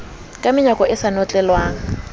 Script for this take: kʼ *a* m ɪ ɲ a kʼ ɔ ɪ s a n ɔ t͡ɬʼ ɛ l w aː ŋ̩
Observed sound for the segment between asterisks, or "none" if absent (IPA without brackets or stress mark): a